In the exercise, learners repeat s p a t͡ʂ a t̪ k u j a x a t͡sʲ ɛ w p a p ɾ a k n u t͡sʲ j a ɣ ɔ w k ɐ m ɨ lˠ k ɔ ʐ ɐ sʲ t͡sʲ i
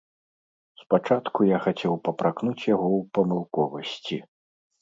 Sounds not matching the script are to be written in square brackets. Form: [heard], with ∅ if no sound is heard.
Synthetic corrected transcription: s p a t͡ʂ a t̪ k u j a x a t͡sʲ ɛ w p [ɐ] p ɾ a k n u t͡sʲ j a ɣ ɔ w [p] ɐ m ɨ lˠ k ɔ [v] ɐ sʲ t͡sʲ i